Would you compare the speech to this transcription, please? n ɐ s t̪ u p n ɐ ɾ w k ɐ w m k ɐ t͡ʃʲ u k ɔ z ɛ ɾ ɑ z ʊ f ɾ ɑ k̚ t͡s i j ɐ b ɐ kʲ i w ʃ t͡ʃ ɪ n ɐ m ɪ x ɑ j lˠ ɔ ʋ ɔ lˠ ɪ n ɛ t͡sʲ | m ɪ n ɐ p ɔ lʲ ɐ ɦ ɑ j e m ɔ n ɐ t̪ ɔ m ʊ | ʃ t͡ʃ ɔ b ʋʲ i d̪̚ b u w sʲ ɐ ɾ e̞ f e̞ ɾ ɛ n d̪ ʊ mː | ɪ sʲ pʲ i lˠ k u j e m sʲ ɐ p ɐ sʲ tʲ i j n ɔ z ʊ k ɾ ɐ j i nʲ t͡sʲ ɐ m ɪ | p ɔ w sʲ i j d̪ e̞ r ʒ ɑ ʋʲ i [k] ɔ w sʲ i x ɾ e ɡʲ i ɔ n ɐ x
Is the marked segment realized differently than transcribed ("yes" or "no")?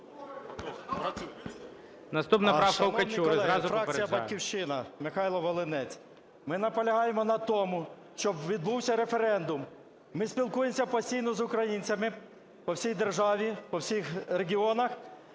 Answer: yes